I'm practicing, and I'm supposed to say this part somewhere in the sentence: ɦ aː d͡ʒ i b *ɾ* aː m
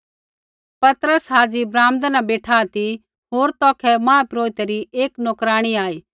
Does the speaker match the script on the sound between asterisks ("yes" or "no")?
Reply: yes